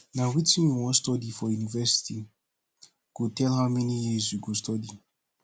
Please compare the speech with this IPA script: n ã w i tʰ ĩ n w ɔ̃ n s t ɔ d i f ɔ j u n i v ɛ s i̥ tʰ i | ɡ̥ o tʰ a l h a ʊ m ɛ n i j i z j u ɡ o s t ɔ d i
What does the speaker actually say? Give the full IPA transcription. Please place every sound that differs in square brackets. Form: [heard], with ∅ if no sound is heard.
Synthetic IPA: n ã w i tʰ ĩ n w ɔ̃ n s t ɔ d i f ɔ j u n i v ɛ s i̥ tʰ i | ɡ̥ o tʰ [ɛ] l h a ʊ m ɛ n i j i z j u ɡ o s t ɔ d i